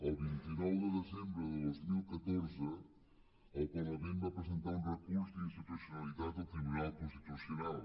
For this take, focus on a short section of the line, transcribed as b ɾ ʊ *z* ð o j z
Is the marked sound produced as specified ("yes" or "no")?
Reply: no